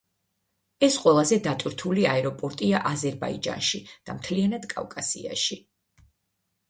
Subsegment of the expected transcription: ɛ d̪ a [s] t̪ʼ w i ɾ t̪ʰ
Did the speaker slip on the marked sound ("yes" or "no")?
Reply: yes